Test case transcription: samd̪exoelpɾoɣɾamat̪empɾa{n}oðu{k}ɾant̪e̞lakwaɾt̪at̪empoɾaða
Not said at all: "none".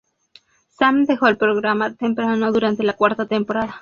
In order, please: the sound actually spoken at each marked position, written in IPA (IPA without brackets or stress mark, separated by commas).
n, none